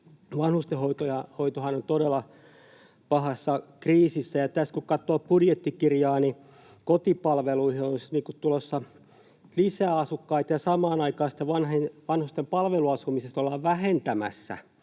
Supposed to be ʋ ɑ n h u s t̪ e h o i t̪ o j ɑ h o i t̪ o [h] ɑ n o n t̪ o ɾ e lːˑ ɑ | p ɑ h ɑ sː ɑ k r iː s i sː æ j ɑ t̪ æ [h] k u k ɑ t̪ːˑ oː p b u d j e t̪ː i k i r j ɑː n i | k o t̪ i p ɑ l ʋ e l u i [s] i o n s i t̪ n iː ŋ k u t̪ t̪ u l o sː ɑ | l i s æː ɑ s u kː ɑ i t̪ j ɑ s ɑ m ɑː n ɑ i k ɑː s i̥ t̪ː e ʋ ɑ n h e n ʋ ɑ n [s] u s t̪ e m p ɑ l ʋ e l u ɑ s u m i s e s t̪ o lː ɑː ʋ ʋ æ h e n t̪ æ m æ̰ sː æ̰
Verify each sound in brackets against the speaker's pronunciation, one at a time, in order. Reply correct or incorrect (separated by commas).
correct, incorrect, incorrect, incorrect